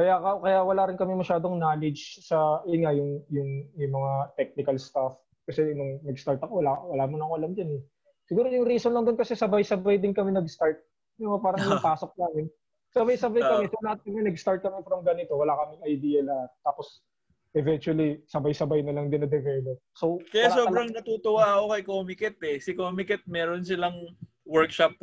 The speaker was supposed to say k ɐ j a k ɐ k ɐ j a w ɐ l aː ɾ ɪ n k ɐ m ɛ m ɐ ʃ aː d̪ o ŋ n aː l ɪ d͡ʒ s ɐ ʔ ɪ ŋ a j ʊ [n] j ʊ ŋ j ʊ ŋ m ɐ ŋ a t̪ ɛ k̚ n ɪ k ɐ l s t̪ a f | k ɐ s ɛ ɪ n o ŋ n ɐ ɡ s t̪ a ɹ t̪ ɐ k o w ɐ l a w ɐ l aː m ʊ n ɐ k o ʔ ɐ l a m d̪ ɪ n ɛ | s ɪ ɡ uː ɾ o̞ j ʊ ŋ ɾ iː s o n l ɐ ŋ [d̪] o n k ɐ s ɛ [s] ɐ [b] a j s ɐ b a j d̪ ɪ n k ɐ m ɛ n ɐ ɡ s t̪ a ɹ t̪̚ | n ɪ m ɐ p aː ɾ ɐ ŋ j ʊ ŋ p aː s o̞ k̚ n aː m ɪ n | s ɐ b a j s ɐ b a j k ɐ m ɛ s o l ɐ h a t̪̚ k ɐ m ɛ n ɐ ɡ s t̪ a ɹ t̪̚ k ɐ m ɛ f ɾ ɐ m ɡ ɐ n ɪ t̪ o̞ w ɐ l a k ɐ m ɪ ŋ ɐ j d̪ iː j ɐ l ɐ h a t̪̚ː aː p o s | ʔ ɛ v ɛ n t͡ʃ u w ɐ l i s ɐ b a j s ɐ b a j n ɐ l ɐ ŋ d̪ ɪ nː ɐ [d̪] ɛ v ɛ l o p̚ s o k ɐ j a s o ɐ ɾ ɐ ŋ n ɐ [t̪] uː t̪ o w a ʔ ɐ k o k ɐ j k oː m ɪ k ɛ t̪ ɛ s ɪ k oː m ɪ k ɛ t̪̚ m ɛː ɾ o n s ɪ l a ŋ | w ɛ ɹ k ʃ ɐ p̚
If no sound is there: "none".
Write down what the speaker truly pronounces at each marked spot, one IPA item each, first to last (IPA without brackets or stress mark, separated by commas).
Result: ŋ, d̪, s, b, d̪, t̪